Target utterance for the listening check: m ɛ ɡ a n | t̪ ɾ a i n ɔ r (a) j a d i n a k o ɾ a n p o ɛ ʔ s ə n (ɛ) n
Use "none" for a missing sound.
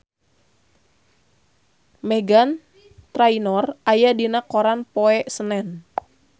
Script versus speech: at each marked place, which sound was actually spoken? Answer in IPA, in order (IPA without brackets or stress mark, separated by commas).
a, ɛ